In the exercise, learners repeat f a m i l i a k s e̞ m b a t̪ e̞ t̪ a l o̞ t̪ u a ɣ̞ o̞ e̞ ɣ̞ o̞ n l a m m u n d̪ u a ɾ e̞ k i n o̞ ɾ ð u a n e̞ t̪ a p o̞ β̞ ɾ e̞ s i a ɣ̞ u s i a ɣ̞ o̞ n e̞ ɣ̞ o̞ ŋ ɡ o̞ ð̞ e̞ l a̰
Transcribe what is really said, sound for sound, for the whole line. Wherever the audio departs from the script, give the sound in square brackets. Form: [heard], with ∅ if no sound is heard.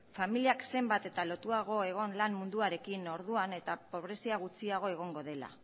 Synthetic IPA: f a m i l i a k s e̞ m b a t̪ e̞ t̪ a l o̞ t̪ u a ɣ̞ o̞ e̞ ɣ̞ o̞ n l a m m u n d̪ u a ɾ e̞ k i n o̞ ɾ ð u a n e̞ t̪ a p o̞ β̞ ɾ e̞ s i a ɣ̞ u [t͡s] i a ɣ̞ o̞ [∅] e̞ ɣ̞ o̞ ŋ ɡ o̞ ð̞ e̞ l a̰